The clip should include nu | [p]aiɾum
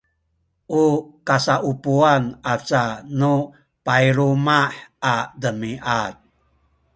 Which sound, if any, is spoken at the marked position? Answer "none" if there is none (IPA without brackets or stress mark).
p